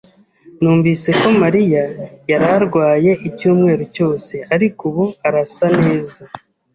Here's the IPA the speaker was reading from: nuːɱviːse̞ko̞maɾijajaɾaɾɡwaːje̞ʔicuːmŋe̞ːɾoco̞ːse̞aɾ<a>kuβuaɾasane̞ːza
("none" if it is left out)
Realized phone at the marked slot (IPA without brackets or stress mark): i